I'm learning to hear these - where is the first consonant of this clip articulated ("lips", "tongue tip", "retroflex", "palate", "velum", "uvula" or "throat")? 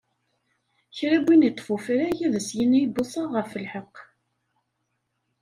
palate